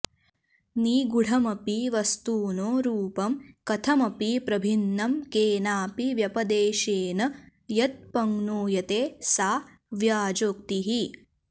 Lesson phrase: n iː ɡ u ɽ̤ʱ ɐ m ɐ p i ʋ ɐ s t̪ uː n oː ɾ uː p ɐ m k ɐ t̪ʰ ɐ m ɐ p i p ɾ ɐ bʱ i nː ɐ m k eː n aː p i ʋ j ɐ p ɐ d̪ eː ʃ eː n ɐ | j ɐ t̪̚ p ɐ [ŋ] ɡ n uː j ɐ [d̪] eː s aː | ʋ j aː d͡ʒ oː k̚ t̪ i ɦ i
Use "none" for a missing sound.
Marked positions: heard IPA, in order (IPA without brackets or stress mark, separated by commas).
ŋ, t̪